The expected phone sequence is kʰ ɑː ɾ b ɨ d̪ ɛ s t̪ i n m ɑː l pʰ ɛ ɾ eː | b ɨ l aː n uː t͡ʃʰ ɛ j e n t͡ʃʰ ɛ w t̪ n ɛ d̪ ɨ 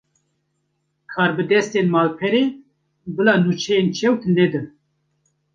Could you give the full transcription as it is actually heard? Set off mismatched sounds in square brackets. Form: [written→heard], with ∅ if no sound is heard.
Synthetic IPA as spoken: kʰ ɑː ɾ b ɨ d̪ ɛ s t̪ [i→e] n m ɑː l pʰ ɛ ɾ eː | b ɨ l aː n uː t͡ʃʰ ɛ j e n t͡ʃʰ ɛ w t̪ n ɛ d̪ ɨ